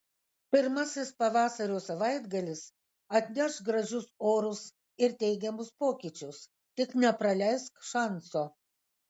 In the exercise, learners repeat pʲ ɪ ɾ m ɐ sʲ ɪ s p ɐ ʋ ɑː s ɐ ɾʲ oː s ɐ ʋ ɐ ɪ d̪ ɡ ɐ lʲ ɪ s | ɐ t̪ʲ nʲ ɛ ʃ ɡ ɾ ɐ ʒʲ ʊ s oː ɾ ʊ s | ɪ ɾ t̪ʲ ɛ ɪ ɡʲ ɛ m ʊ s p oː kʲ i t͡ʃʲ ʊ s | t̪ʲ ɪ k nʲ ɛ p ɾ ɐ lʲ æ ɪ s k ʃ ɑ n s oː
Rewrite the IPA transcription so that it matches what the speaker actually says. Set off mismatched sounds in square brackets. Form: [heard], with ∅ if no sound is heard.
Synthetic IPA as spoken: pʲ ɪ ɾ m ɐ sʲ ɪ s p ɐ ʋ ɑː s ɐ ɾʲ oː s ɐ ʋ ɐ ɪ d̪ ɡ ɐ lʲ ɪ s | ɐ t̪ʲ nʲ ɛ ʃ ɡ ɾ ɐ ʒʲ ʊ s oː ɾ ʊ s | ɪ ɾ t̪ʲ ɛ ɪ ɡʲ ɛ m ʊ s p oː kʲ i t͡ʃʲ ʊ s | t̪ʲ ɪ k nʲ ɛ p ɾ ɐ lʲ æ ɪ s k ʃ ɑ n s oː